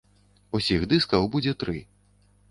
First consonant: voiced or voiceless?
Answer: voiceless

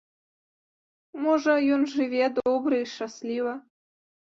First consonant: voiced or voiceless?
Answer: voiced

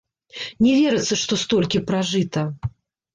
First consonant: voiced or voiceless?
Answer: voiced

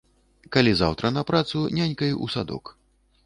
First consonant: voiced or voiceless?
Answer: voiceless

